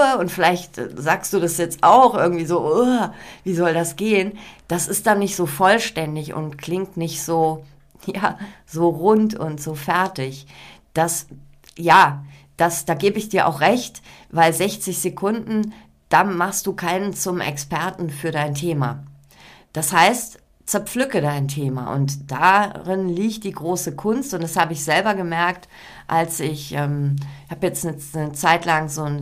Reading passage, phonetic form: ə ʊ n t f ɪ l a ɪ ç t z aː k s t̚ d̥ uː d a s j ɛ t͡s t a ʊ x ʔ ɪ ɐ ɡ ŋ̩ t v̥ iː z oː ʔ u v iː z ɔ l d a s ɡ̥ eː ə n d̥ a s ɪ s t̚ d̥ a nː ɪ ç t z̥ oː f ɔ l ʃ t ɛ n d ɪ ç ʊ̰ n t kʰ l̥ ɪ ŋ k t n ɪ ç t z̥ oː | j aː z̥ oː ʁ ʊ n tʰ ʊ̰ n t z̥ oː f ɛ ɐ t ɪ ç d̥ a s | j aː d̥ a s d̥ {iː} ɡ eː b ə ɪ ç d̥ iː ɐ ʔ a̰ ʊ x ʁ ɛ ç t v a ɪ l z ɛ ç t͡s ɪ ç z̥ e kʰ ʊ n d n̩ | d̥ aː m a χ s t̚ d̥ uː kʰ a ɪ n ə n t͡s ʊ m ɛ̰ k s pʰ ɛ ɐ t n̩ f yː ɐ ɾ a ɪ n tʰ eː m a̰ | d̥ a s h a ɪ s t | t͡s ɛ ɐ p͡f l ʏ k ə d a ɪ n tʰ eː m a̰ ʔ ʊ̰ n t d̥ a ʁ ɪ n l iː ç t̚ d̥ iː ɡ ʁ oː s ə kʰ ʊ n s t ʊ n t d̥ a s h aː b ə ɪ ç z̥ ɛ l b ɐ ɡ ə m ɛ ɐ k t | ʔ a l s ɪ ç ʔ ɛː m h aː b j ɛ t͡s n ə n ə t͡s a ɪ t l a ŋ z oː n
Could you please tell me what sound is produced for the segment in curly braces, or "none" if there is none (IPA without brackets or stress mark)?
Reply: aː